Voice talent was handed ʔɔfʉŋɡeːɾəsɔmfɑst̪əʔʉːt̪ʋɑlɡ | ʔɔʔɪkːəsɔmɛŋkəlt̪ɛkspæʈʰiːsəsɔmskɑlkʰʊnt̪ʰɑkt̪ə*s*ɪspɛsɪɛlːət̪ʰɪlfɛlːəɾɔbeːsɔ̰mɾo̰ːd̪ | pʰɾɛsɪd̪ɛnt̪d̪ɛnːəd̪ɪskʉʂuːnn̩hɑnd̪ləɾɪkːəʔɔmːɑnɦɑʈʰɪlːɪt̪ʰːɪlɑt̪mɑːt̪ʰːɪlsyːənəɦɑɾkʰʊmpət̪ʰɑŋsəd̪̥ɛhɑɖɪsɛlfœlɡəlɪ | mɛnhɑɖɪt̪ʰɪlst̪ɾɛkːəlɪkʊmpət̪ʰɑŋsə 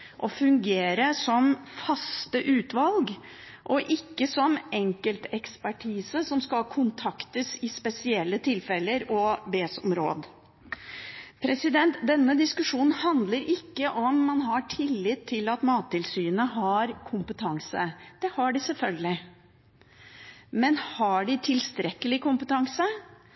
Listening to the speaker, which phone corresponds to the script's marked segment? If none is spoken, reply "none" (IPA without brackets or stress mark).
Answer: s